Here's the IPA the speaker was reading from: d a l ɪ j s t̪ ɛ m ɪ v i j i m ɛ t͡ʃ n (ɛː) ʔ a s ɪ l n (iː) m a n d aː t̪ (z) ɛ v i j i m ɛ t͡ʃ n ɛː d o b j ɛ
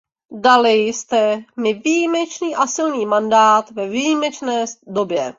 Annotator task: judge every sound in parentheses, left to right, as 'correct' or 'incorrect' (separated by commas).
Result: incorrect, correct, incorrect